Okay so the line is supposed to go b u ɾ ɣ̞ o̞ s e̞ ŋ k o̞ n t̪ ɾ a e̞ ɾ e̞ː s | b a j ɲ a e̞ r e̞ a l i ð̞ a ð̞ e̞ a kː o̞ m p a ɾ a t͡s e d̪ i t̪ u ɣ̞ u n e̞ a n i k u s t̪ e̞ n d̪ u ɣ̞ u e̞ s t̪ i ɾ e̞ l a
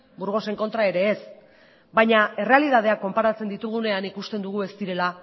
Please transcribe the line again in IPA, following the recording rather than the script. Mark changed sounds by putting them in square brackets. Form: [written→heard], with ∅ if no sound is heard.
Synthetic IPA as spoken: b u ɾ ɣ̞ o̞ s e̞ ŋ k o̞ n t̪ ɾ a e̞ ɾ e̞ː s | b a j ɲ a e̞ r e̞ a l i ð̞ a ð̞ e̞ a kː o̞ m p a ɾ a t͡s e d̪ i t̪ u ɣ̞ u n e̞ a n i k u s t̪ e̞ n d̪ u ɣ̞ u e̞ s t̪ i ɾ e̞ l a